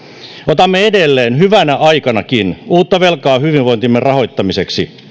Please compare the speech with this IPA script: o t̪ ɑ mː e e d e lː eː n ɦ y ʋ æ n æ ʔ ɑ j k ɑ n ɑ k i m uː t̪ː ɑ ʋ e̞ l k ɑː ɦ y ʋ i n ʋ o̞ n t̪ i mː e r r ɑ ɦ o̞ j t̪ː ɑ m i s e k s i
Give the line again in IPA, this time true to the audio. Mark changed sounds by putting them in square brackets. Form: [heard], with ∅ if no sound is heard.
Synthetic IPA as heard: o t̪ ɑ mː e e d e lː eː n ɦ y ʋ æ n æ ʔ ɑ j k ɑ n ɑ k i [n] uː t̪ː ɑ ʋ e̞ l k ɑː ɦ y ʋ i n ʋ o̞ n t̪ i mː e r r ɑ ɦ o̞ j t̪ː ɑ m i s e k s i